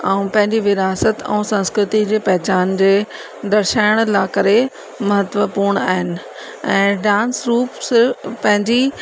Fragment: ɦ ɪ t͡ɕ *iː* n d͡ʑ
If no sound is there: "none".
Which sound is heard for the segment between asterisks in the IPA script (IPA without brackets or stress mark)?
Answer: aː